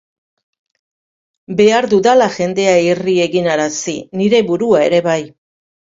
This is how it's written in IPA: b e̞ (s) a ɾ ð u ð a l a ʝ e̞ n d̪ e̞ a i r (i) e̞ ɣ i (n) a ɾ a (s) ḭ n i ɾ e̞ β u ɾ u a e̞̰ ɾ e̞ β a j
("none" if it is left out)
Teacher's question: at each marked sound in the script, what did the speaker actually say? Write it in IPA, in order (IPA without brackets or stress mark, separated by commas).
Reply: none, i, n, s